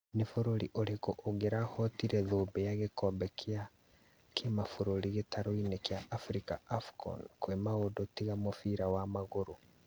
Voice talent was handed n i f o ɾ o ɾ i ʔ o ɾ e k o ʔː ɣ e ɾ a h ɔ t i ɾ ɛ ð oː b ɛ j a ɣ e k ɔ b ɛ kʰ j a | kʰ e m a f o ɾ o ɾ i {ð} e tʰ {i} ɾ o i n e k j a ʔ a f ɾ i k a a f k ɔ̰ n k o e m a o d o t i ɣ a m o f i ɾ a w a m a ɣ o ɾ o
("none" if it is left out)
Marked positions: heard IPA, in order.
ɣ, a

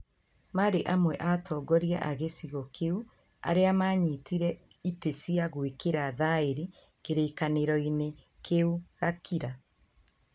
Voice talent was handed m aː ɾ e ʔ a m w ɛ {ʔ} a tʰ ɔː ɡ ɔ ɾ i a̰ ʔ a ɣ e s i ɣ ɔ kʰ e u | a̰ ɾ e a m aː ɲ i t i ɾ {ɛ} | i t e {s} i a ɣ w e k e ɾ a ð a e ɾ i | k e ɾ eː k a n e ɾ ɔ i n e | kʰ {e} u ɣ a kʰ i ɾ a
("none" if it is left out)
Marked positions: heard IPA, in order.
ʔ, ɛ, s, e

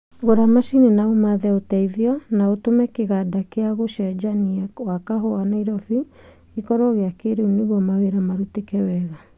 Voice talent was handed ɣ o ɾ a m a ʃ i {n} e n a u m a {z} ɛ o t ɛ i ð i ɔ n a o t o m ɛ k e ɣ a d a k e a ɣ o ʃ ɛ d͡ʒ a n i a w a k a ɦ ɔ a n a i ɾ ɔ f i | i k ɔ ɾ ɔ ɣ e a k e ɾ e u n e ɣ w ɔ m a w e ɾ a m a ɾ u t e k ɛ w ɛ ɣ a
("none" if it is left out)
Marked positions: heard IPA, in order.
n, ð

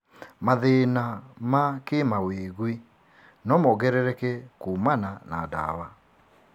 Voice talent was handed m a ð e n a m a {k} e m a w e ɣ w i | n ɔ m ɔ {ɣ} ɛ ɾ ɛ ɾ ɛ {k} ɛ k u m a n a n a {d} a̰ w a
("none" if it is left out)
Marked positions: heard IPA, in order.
k, ɣ, k, d

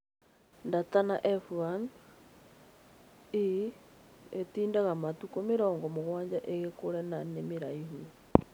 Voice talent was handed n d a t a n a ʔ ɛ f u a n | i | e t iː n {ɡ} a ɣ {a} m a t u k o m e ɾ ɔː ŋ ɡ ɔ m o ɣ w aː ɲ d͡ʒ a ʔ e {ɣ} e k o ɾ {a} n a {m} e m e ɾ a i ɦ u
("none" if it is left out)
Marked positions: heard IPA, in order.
d, a, ɣ, ɛ, n

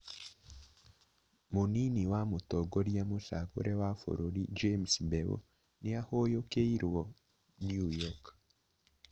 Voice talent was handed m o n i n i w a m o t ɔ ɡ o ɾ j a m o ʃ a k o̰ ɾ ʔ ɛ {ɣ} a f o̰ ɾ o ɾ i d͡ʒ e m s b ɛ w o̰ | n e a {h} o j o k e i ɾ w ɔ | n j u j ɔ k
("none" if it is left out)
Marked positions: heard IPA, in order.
w, h

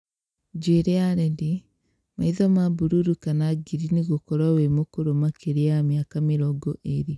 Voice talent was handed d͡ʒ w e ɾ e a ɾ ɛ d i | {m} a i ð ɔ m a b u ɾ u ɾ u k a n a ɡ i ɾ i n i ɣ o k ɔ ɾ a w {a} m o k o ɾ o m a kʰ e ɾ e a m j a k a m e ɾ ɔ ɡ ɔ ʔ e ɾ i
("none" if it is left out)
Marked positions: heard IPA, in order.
m, e

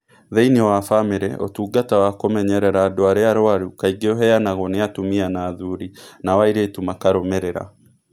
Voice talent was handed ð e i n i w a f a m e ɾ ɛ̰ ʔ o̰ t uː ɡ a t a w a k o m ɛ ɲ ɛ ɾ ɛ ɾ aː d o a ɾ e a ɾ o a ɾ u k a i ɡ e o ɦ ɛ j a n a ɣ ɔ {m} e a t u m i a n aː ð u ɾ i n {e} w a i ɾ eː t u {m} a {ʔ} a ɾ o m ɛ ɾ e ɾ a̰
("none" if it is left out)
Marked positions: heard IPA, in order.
n, a, m, k

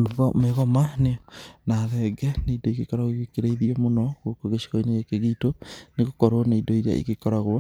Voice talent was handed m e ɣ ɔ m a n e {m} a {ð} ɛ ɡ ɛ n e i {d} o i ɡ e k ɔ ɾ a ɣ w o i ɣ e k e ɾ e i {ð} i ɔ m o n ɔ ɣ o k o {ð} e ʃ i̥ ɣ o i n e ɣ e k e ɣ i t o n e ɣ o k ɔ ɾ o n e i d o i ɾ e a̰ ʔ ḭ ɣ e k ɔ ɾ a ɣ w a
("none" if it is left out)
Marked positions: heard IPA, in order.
n, ð, d, ð, ɣ

